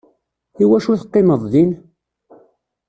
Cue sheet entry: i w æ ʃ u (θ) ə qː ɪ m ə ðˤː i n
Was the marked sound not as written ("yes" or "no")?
no